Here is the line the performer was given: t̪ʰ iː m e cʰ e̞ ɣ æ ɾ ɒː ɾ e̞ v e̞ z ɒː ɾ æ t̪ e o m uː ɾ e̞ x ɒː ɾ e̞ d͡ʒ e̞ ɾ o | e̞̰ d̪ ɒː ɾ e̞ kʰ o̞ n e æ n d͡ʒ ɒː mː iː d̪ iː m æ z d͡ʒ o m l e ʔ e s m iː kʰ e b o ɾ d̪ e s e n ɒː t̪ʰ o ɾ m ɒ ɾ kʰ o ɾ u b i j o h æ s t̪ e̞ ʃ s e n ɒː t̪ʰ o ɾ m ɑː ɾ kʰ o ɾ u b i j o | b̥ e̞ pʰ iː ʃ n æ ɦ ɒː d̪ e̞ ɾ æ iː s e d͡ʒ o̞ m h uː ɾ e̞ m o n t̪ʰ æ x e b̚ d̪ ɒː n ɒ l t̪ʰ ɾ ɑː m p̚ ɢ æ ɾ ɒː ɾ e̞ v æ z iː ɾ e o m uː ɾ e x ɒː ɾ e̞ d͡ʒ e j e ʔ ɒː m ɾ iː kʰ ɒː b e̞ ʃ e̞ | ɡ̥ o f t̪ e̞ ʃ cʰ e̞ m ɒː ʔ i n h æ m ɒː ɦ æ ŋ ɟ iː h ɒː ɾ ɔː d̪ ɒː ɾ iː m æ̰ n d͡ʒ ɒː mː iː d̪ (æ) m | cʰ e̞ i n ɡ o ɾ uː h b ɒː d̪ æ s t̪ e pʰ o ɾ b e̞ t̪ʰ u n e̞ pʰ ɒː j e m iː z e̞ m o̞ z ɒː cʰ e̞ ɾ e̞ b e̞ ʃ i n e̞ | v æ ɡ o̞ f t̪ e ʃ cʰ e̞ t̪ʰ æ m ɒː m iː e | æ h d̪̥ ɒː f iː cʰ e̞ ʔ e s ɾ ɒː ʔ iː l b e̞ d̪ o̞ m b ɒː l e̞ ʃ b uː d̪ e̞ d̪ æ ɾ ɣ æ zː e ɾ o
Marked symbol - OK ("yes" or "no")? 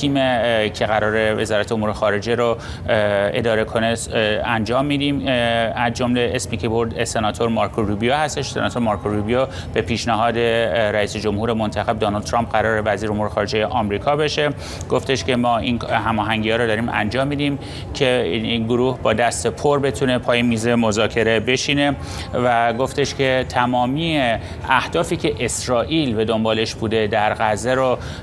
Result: no